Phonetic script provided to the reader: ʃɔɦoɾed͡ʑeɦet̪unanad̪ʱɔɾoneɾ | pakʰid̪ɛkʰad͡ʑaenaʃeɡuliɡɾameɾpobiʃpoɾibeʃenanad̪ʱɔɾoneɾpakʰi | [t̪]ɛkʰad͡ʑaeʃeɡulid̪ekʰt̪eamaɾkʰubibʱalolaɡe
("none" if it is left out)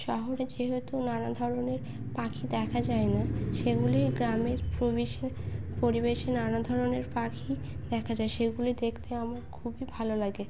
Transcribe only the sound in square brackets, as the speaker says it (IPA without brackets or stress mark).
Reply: d̪